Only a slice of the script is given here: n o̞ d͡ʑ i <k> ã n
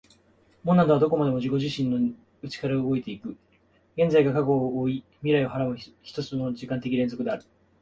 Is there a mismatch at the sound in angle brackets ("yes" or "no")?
no